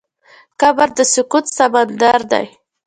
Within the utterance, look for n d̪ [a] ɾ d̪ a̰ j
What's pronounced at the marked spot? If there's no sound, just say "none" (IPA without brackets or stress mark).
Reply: a